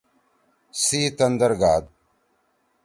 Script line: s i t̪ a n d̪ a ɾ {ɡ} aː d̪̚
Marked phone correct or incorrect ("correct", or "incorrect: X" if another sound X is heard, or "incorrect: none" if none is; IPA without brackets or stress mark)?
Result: correct